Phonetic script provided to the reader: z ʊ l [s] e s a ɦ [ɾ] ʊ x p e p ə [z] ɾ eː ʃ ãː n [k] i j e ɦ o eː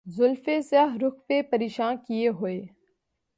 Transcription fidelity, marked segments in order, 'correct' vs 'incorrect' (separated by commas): incorrect, correct, incorrect, correct